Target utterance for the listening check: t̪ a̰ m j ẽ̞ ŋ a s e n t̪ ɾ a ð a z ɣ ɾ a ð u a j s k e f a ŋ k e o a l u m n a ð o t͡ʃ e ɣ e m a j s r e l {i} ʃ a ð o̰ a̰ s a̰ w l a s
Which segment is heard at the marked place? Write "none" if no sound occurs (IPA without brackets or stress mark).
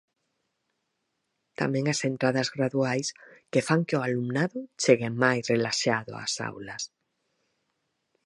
a